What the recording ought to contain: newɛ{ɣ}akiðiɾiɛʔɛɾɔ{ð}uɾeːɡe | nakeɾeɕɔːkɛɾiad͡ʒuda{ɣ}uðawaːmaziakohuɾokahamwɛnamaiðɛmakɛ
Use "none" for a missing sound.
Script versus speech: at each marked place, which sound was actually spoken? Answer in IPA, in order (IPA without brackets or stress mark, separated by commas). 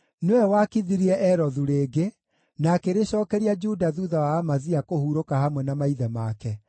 w, ð, ð